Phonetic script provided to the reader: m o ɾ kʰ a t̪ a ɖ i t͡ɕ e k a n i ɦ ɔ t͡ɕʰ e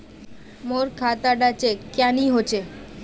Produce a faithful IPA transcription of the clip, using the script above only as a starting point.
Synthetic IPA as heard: m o ɾ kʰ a t̪ a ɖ a t͡ɕ e k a n i ɦ o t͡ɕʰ e